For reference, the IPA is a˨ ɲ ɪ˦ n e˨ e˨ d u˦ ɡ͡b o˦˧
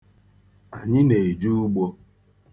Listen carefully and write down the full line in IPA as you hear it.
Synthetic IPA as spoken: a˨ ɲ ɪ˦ n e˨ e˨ d͡ʒ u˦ ɡ͡b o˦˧